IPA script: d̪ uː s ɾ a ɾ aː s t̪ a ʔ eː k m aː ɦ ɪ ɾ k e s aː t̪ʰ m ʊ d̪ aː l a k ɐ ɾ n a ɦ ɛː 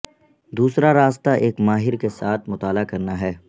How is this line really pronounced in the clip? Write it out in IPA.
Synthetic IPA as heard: d̪ uː s ɾ a ɾ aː s t̪ a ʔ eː k m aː ɦ ɪ ɾ k e s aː t̪ʰ m ʊ t̪ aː l a k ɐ ɾ n a ɦ ɛː